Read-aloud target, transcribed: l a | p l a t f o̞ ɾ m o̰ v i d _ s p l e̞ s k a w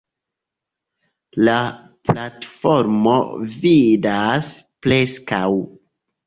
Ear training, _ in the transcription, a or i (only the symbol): a